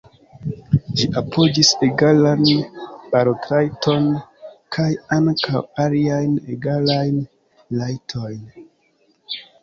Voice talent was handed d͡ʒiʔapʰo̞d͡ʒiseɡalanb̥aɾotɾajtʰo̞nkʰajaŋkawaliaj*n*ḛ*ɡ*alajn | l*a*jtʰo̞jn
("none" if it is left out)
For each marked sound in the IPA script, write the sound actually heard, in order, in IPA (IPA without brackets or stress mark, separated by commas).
n, ɡ, a